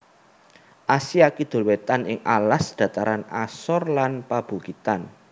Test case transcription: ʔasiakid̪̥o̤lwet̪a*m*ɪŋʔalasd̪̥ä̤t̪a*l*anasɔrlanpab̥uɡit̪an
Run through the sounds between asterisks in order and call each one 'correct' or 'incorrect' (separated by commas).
incorrect, incorrect